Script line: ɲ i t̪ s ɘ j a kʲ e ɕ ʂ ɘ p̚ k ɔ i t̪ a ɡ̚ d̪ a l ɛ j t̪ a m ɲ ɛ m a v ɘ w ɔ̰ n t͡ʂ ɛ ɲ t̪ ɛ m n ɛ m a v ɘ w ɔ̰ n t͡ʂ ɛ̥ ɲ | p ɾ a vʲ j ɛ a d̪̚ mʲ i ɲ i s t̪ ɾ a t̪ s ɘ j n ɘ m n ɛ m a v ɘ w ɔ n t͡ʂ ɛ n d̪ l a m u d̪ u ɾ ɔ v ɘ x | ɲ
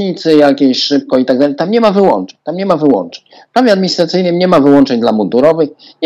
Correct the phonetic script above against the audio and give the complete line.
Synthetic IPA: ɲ i t̪ s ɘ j a kʲ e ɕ ʂ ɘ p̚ k ɔ i t̪ a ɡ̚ d̪ a l ɛ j t̪ a m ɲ ɛ m a v ɘ w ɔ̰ n t͡ʂ ɛ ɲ t̪ a m ɲ ɛ m a v ɘ w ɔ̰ n t͡ʂ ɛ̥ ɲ | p ɾ a vʲ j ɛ a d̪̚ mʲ i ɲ i s t̪ ɾ a t̪ s ɘ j n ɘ m ɲ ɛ m a v ɘ w ɔ n t͡ʂ ɛ ɲ d̪ l a m u d̪ u ɾ ɔ v ɘ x | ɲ